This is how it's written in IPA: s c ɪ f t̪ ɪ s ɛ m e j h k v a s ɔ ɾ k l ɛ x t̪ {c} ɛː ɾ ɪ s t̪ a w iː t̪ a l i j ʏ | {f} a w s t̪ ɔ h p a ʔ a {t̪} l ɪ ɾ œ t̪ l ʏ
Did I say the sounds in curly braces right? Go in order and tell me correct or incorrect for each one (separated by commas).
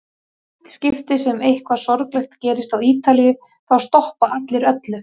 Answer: correct, incorrect, correct